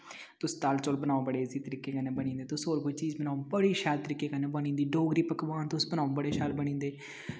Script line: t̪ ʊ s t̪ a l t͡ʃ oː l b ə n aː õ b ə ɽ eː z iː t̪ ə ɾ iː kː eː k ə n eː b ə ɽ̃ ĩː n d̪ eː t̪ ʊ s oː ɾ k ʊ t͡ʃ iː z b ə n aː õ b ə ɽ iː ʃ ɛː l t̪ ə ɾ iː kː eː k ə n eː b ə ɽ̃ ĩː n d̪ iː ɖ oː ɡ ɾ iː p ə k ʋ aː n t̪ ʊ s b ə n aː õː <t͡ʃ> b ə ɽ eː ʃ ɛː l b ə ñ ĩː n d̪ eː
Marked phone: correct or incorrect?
incorrect